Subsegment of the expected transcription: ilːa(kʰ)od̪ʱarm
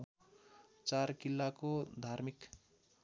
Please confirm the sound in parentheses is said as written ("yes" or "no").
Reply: no